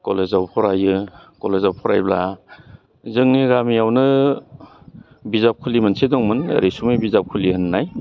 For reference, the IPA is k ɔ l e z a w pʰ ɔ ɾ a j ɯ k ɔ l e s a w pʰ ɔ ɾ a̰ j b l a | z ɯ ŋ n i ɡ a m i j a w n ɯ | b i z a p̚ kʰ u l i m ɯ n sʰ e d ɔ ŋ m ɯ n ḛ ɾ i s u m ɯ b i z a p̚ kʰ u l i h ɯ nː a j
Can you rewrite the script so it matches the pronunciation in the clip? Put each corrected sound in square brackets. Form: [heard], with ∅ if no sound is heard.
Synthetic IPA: k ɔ l e z a w pʰ ɔ ɾ a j ɯ k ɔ l e [z] a w pʰ ɔ ɾ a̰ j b l a | z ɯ ŋ n i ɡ a m i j a w n ɯ | b i z a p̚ kʰ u l i m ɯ n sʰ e d ɔ ŋ m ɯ n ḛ ɾ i s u m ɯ b i z a p̚ kʰ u l i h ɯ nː a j